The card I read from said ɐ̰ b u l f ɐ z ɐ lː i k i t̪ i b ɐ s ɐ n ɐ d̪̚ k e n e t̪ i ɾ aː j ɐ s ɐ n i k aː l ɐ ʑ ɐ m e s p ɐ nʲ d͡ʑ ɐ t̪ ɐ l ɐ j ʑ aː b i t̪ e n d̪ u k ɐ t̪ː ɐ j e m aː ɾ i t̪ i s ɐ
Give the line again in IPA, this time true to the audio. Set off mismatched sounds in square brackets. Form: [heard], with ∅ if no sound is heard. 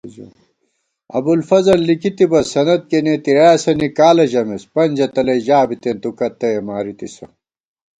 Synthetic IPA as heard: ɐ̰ b u l f ɐ z ɐ lː i k i t̪ i b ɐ s ɐ n ɐ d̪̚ k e n e t̪ i ɾ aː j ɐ s ɐ n i k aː l ɐ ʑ ɐ m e s p ɐ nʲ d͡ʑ ɐ t̪ ɐ l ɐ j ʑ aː b i t̪ e n [t̪] u k ɐ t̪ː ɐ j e m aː ɾ i t̪ i s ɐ